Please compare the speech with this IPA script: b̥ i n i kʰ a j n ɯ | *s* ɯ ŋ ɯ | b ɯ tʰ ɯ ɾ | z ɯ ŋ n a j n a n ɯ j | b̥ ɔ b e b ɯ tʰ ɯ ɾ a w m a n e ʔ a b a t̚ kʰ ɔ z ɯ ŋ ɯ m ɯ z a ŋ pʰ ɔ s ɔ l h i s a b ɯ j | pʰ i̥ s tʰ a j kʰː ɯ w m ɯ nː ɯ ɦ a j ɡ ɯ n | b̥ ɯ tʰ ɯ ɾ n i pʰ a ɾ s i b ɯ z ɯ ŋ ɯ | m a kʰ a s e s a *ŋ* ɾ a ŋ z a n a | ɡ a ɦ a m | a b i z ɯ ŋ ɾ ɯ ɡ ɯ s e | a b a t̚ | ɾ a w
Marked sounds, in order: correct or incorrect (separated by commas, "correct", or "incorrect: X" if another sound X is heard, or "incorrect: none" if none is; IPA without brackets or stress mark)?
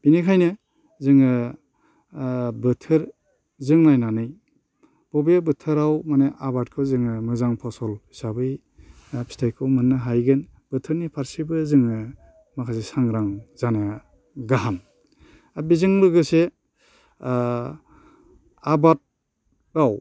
incorrect: z, correct